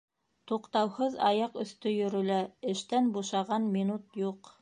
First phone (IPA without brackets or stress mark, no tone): t̪